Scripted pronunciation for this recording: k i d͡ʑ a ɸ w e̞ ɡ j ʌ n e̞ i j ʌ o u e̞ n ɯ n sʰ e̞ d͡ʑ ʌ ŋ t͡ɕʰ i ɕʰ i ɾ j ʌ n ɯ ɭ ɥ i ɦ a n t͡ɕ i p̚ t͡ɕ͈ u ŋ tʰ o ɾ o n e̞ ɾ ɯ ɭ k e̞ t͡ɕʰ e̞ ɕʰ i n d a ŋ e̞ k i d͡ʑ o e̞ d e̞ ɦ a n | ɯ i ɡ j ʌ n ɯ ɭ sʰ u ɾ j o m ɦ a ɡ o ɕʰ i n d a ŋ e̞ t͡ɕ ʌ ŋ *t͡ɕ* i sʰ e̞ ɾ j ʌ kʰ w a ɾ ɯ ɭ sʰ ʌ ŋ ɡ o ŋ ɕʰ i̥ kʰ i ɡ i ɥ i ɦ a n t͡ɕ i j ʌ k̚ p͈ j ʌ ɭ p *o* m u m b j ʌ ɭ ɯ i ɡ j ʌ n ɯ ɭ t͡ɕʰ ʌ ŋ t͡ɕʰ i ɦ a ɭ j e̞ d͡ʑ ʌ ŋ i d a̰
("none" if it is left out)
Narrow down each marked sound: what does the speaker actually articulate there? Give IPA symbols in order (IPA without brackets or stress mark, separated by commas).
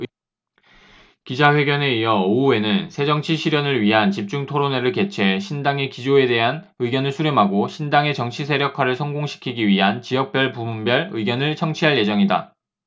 t͡ɕʰ, u